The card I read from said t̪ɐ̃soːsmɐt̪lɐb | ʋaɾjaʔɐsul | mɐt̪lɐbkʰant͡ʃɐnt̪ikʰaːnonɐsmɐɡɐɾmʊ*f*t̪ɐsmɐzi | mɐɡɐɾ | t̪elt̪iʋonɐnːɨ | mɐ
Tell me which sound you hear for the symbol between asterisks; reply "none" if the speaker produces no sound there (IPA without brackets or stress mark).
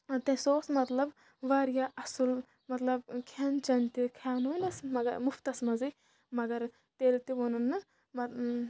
f